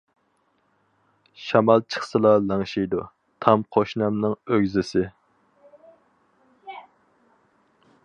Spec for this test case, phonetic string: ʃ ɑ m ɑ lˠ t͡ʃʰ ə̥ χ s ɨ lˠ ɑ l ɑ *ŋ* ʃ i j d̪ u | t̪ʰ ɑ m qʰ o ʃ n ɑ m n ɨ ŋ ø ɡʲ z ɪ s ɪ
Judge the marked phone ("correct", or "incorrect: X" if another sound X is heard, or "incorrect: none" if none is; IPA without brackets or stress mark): correct